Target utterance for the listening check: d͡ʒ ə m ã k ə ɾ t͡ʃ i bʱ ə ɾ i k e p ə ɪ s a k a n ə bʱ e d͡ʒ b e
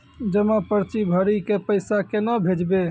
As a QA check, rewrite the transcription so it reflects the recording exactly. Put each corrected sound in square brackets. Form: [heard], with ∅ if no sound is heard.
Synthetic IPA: d͡ʒ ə m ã [p] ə ɾ t͡ʃ i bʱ ə ɾ i k e p ə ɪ s a k [e] n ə bʱ e d͡ʒ b e